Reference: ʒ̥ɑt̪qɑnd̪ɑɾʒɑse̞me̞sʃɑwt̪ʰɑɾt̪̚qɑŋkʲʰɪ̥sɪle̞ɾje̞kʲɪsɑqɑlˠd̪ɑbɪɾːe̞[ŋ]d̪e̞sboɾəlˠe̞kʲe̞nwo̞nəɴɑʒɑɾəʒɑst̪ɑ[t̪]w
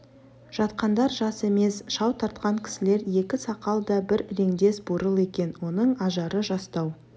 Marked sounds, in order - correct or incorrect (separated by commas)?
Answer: correct, incorrect